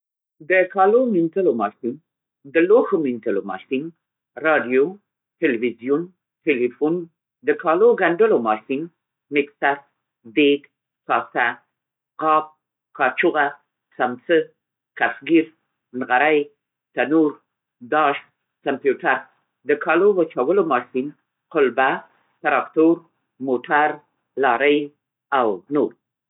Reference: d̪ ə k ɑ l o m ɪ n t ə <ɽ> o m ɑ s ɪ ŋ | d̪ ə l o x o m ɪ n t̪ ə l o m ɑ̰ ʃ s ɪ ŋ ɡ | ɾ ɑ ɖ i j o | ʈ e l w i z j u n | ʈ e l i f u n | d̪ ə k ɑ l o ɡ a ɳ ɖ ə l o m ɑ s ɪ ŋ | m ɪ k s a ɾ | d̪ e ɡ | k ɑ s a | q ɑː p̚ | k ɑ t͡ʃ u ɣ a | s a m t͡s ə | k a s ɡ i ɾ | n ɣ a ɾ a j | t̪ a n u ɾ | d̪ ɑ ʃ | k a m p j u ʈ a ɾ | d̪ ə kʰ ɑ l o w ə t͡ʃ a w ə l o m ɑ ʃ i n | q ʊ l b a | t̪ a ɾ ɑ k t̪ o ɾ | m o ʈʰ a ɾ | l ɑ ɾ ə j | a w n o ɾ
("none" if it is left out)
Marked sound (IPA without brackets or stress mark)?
l